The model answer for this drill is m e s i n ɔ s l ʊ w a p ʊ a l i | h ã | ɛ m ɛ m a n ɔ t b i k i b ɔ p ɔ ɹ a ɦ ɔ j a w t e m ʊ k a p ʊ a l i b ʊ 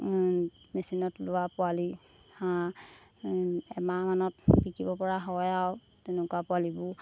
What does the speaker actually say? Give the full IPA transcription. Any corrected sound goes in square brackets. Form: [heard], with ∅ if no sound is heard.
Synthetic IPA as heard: m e s i n ɔ [t] l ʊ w a p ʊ a l i | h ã | ɛ m [a] m a n ɔ t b i k i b ɔ p ɔ ɹ a ɦ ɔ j a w t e [n] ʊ k a p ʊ a l i b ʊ